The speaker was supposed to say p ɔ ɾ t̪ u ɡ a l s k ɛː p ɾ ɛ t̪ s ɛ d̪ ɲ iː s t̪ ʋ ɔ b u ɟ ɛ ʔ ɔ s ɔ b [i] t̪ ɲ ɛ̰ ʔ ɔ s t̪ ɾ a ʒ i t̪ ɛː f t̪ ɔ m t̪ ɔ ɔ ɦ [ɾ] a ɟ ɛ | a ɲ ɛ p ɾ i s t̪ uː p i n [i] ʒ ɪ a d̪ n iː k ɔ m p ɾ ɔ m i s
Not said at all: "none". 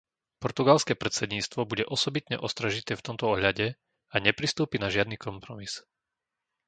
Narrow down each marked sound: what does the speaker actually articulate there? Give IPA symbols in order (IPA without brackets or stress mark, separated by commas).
i, ʎ, a